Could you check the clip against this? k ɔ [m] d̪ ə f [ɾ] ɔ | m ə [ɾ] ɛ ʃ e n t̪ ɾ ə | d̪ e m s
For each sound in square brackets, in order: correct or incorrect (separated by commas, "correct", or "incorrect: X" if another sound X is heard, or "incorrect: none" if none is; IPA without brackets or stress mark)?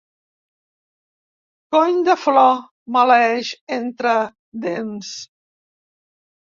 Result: incorrect: ɲ, incorrect: l, incorrect: l